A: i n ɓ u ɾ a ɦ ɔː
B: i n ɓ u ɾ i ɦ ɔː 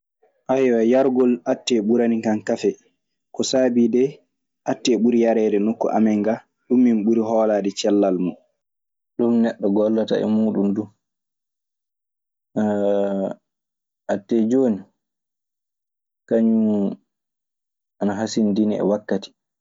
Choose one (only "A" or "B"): B